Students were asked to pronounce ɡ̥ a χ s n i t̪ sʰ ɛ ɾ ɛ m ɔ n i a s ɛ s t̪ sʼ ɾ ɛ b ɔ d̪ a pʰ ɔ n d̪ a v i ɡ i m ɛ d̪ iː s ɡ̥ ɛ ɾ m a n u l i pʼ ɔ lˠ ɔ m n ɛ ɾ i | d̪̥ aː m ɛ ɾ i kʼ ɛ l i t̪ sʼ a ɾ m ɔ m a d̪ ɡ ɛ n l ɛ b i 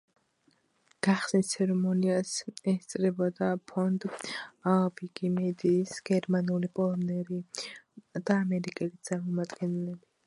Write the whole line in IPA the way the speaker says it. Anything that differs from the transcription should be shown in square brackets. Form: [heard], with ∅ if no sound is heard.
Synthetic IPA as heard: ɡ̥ a χ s n i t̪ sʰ ɛ ɾ ɛ m ɔ n i a s ɛ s t̪ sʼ ɾ ɛ b ɔ d̪ a pʰ ɔ n d̪ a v i ɡ i m ɛ d̪ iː s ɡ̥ ɛ ɾ m a n u l i pʼ ɔ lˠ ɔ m n ɛ ɾ i | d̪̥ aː m ɛ ɾ i kʼ ɛ l i t̪ sʼ a ɾ m ɔ m a d̪ ɡ ɛ n l ɛ b i